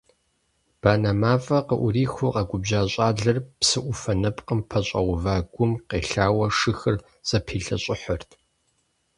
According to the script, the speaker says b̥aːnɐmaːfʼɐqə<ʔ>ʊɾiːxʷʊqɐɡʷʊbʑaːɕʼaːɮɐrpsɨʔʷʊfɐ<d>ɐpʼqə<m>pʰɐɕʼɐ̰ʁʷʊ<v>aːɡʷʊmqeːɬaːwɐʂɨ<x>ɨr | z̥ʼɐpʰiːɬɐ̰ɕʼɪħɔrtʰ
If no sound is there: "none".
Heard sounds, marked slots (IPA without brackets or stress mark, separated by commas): ʔ, n, m, v, x